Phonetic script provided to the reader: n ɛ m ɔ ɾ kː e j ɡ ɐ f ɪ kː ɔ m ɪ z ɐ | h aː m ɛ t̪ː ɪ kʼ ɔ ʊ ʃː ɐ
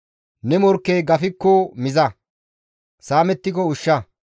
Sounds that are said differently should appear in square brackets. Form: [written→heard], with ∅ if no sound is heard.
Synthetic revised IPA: n ɛ m ɔ ɾ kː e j ɡ ɐ f ɪ kː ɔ m ɪ z ɐ | [h→s] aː m ɛ t̪ː ɪ [kʼ→k] ɔ ʊ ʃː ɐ